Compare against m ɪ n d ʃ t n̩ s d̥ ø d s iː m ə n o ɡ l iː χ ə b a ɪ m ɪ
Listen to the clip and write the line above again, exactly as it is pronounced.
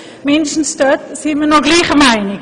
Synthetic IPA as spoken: m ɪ n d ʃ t n̩ s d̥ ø t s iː m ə n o ɡ l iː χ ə m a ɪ n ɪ